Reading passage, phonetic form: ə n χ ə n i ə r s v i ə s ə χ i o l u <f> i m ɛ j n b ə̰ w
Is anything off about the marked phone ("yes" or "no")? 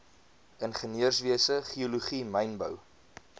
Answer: yes